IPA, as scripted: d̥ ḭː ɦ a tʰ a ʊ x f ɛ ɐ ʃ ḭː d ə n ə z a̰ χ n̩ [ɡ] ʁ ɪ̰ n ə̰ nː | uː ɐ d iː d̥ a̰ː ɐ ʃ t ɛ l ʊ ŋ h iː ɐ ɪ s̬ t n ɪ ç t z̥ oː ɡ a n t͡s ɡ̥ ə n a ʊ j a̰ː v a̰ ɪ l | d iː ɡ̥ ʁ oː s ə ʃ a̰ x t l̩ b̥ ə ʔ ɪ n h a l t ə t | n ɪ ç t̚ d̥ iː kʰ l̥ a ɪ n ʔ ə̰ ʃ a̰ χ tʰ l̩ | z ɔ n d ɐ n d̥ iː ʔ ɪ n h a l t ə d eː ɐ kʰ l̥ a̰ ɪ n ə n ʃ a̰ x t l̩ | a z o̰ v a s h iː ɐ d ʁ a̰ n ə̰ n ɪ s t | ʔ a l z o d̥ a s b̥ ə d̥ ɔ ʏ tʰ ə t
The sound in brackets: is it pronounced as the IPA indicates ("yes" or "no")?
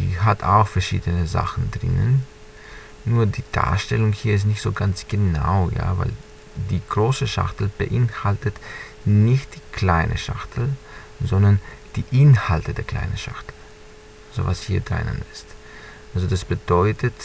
no